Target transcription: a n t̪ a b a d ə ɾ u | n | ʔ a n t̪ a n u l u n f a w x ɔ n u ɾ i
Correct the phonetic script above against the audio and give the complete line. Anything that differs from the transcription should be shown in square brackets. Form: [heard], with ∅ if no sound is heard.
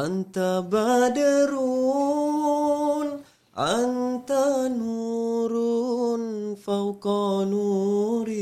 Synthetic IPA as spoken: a n t̪ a b a d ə ɾ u | n | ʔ a n t̪ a n u [ɾ] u n f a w [k] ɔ n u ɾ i